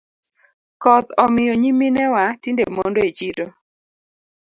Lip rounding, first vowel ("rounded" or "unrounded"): rounded